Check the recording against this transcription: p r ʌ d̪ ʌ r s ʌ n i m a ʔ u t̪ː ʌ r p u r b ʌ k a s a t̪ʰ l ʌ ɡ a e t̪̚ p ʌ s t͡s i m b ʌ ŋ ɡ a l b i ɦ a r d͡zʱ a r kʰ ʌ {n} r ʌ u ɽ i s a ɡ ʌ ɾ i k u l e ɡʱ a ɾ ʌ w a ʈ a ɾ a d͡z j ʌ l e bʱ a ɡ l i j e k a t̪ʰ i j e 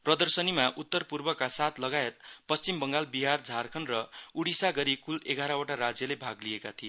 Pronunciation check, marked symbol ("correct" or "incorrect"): correct